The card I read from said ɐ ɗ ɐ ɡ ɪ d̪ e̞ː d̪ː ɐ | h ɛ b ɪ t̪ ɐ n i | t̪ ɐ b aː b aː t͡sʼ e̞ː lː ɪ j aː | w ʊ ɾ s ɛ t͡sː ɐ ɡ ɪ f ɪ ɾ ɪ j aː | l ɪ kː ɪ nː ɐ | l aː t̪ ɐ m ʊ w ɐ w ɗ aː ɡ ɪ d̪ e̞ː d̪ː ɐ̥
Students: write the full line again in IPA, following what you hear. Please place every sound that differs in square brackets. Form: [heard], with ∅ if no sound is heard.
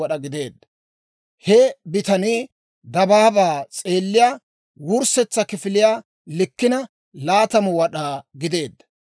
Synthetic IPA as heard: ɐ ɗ ɐ ɡ ɪ d̪ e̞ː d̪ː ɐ | h ɛ b ɪ t̪ ɐ n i | [d̪] ɐ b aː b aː t͡sʼ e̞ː lː ɪ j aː | w ʊ ɾ s ɛ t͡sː ɐ [k] ɪ f ɪ [l] ɪ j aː | l ɪ kː ɪ [n] ɐ | l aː t̪ ɐ m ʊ w ɐ [∅] ɗ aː ɡ ɪ d̪ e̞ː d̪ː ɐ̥

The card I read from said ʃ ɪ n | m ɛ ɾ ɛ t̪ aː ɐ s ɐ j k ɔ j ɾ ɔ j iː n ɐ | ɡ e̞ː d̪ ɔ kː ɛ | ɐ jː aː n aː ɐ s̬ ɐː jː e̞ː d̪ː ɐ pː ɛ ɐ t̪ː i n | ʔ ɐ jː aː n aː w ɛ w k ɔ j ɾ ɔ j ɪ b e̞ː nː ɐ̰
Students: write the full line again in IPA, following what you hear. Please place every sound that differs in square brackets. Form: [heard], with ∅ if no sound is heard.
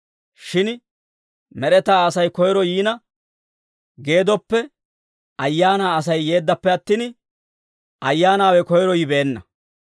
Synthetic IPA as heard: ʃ ɪ n | m ɛ ɾ ɛ t̪ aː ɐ s ɐ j k ɔ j ɾ ɔ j iː n ɐ | ɡ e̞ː d̪ ɔ [pː] ɛ | ɐ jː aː n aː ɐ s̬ [ɐ] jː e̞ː d̪ː ɐ pː ɛ ɐ t̪ː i n | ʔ ɐ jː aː n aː w ɛ [∅] k ɔ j ɾ ɔ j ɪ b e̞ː nː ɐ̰

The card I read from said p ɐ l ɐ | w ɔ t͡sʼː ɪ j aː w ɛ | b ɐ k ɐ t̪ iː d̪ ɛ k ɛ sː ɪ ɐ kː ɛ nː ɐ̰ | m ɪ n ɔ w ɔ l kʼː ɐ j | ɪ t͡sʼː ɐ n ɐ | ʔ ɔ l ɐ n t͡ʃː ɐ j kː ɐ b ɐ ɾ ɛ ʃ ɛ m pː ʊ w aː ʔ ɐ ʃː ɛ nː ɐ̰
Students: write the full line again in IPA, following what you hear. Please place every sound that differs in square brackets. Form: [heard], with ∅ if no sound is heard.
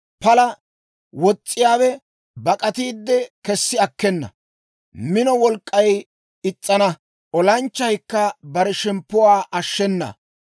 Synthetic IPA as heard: p ɐ l ɐ | w ɔ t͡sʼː ɪ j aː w ɛ | b ɐ [kʼ] ɐ t̪ iː [d̪ː] ɛ k ɛ sː ɪ ɐ kː ɛ nː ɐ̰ | m ɪ n ɔ w ɔ l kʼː ɐ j | ɪ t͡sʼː ɐ n ɐ | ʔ ɔ l ɐ n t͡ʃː ɐ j kː ɐ b ɐ ɾ ɛ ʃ ɛ m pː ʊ w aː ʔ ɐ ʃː ɛ nː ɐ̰

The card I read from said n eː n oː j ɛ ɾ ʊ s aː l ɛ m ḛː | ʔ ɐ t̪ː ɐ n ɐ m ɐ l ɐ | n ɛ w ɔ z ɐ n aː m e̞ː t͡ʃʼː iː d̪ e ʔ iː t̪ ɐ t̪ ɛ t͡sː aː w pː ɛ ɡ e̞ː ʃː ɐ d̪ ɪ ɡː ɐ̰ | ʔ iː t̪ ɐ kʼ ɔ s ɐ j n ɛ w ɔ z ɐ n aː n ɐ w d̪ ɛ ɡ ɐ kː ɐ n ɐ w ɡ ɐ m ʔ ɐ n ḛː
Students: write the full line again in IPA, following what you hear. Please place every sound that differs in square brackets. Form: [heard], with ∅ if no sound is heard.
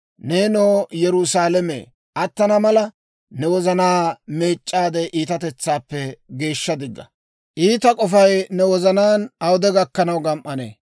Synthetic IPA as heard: n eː n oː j ɛ ɾ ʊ s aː l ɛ m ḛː | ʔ ɐ t̪ː ɐ n ɐ m ɐ l ɐ | n ɛ w ɔ z ɐ n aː m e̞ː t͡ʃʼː [aː] d̪ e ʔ iː t̪ ɐ t̪ ɛ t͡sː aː [∅] pː ɛ ɡ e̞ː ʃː ɐ d̪ ɪ ɡː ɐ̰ | ʔ iː t̪ ɐ kʼ ɔ [f] ɐ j n ɛ w ɔ z ɐ n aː n ɐ w d̪ ɛ ɡ ɐ kː ɐ n ɐ w ɡ ɐ m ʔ ɐ n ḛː

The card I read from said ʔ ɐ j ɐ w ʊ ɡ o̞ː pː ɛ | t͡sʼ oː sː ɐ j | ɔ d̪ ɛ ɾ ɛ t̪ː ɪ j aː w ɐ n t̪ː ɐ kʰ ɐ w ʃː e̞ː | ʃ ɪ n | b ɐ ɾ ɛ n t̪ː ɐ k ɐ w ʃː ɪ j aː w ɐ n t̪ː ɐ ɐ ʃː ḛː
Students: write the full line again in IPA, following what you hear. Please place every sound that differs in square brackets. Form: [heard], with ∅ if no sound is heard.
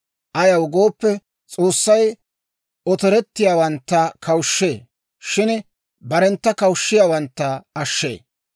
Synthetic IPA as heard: ʔ ɐ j ɐ w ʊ ɡ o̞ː pː ɛ | t͡sʼ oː sː ɐ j | ɔ [t̪] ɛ ɾ ɛ t̪ː ɪ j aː w ɐ n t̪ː ɐ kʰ ɐ w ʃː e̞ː | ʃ ɪ n | b ɐ ɾ ɛ n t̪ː ɐ k ɐ w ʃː ɪ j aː w ɐ n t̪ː ɐ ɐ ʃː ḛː

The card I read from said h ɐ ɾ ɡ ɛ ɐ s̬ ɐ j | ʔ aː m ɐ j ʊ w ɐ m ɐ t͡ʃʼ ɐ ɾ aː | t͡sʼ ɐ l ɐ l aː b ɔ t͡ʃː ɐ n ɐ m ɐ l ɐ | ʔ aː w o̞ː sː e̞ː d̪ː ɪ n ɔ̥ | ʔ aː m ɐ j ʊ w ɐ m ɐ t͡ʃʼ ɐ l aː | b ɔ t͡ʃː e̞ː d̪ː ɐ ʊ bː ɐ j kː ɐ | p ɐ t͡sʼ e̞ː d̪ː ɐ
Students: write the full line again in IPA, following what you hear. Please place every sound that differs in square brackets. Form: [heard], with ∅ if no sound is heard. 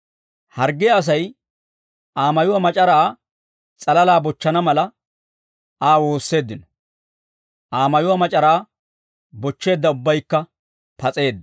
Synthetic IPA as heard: h ɐ ɾ ɡ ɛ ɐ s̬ ɐ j | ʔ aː m ɐ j ʊ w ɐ m ɐ t͡ʃʼ ɐ ɾ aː | t͡sʼ ɐ l ɐ l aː b ɔ t͡ʃː ɐ n ɐ m ɐ l ɐ | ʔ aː w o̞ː sː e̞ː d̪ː ɪ n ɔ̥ | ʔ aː m ɐ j ʊ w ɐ m ɐ t͡ʃʼ ɐ [ɾ] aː | b ɔ t͡ʃː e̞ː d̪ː ɐ ʊ bː ɐ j kː ɐ | p ɐ t͡sʼ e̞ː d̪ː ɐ

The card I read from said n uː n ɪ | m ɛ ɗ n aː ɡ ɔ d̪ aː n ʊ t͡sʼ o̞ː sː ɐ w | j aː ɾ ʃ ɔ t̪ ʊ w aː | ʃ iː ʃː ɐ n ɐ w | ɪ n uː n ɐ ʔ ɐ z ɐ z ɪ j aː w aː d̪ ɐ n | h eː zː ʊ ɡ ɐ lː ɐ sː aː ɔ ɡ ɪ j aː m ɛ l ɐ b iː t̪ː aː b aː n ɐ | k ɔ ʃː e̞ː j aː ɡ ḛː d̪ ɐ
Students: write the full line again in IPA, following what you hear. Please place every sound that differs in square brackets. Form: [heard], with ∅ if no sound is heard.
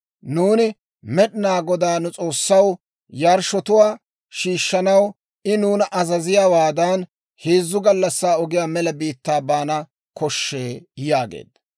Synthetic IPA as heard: n uː n ɪ | m ɛ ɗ n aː ɡ ɔ d̪ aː n ʊ t͡sʼ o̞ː sː ɐ w | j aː ɾ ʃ ɔ t̪ ʊ w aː | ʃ iː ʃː ɐ n ɐ w | ɪ n uː n ɐ ʔ ɐ z ɐ z ɪ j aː w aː d̪ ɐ n | h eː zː ʊ ɡ ɐ lː ɐ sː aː ɔ ɡ ɪ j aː m ɛ l ɐ b iː t̪ː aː b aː n ɐ | k ɔ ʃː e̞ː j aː ɡ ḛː d̪ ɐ

